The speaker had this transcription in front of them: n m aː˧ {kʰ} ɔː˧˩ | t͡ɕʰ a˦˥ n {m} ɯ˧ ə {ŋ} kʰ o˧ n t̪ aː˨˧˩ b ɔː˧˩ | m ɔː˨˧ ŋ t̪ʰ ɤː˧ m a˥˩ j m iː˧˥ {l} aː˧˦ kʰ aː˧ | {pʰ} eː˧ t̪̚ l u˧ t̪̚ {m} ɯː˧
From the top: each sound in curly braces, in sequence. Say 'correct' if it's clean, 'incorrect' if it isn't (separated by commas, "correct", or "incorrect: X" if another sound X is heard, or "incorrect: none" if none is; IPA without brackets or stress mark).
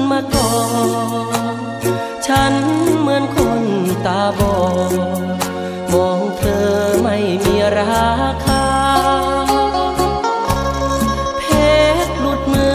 incorrect: k, correct, incorrect: n, incorrect: ɾ, correct, correct